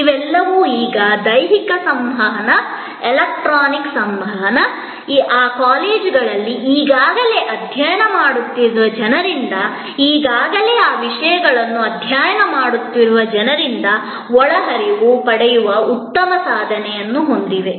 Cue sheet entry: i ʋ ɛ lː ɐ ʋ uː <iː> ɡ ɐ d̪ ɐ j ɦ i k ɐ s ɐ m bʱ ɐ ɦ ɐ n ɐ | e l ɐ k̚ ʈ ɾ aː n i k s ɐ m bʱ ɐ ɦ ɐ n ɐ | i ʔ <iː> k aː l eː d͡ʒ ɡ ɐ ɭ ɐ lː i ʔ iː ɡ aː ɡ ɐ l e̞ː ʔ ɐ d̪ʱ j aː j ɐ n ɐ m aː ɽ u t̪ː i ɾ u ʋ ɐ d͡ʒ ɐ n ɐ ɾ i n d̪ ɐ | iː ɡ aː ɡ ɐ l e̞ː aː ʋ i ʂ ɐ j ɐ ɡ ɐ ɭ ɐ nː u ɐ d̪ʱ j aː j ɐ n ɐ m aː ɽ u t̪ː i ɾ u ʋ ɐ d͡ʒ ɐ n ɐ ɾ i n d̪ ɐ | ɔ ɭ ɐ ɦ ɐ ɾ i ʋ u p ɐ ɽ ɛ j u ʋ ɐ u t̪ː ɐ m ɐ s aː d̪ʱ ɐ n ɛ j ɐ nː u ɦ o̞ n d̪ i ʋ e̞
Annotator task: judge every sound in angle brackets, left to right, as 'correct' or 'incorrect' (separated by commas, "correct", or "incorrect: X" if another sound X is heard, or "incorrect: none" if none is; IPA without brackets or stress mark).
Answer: correct, incorrect: aː